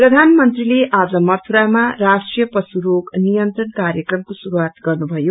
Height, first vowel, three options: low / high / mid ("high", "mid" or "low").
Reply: mid